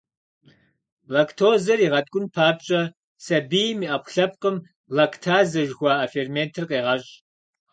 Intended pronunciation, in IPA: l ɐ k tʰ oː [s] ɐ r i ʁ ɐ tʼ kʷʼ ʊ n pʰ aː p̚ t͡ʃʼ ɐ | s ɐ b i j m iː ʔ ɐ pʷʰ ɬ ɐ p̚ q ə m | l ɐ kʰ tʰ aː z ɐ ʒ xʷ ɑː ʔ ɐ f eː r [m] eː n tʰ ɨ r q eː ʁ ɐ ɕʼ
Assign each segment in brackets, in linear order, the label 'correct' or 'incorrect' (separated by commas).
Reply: incorrect, correct